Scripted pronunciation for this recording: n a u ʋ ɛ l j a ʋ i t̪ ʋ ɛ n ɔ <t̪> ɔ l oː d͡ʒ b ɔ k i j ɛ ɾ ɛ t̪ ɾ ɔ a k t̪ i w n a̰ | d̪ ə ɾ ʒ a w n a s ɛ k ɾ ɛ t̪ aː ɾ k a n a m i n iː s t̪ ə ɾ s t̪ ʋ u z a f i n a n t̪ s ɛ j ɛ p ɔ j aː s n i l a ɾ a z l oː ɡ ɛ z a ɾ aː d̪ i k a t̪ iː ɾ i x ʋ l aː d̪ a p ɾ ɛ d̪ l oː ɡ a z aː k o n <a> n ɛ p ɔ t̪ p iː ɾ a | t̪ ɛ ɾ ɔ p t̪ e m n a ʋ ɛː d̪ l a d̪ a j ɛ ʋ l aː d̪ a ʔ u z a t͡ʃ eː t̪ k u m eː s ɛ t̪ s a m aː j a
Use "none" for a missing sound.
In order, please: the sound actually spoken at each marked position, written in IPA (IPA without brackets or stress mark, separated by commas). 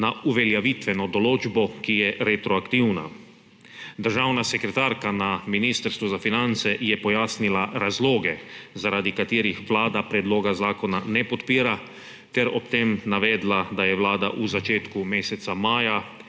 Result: d̪, a